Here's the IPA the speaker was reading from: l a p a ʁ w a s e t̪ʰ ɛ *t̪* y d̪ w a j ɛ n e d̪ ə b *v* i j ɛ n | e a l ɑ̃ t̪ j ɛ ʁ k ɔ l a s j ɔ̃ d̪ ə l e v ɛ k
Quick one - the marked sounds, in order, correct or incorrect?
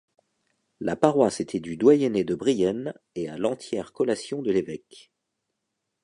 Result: incorrect: d̪, incorrect: ʁ

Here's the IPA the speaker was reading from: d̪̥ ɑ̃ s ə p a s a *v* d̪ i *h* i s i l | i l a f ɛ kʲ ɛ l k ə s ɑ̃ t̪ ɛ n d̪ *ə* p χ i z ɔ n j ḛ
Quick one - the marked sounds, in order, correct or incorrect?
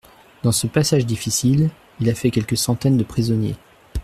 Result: incorrect: ʒ, incorrect: f, correct

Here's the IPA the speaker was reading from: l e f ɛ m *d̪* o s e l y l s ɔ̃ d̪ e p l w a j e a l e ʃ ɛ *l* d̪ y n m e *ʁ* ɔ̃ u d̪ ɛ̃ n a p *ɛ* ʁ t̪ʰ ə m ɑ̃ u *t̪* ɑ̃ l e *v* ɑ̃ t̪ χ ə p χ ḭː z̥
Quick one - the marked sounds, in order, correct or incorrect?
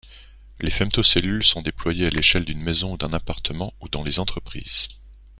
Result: incorrect: t̪, correct, incorrect: z, incorrect: a, incorrect: d̪, incorrect: z

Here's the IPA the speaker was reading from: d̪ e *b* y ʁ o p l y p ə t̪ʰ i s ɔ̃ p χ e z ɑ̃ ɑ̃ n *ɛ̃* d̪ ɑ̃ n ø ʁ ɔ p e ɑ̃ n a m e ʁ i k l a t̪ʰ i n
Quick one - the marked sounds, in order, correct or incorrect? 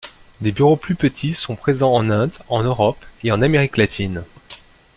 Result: correct, correct

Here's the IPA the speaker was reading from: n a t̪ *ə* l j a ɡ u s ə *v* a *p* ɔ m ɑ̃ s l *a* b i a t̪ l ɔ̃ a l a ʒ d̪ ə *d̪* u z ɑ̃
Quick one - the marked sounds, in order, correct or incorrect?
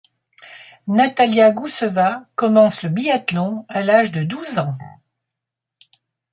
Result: incorrect: a, correct, incorrect: k, incorrect: ə, correct

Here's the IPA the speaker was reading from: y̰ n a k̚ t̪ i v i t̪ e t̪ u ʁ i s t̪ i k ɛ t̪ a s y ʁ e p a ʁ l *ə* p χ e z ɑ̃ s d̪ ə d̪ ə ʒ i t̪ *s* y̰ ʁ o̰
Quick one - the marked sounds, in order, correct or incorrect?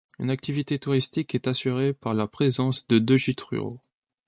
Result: incorrect: a, incorrect: χ

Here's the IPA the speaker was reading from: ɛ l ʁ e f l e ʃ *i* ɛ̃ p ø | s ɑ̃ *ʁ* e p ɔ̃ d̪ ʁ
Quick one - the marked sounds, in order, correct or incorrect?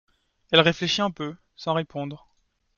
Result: correct, correct

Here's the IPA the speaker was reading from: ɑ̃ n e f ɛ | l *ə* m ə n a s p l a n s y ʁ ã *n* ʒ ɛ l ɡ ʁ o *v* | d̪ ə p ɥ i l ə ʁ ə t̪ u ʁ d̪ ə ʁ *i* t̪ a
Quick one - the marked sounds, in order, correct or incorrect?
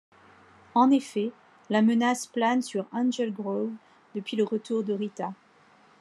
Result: incorrect: a, correct, correct, correct

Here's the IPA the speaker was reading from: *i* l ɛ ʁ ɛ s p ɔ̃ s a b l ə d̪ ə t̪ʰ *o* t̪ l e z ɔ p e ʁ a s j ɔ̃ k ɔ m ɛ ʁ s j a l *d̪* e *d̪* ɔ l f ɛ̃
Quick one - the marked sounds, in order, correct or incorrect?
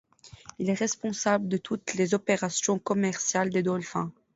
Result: correct, incorrect: u, correct, correct

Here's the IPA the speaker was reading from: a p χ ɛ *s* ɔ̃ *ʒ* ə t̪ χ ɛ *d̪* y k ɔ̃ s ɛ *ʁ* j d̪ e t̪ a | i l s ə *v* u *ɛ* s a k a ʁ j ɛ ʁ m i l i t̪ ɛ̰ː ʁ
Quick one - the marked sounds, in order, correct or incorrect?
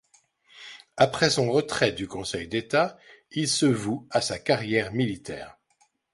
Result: correct, incorrect: ʁ, correct, incorrect: none, correct, incorrect: a

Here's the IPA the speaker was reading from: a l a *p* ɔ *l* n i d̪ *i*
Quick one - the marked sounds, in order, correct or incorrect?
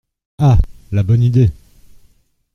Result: incorrect: b, incorrect: none, incorrect: e

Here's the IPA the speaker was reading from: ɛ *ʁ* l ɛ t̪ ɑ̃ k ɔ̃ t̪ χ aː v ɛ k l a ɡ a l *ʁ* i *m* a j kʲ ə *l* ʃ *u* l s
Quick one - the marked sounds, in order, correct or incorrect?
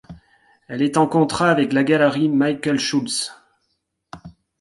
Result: incorrect: none, correct, correct, correct, correct

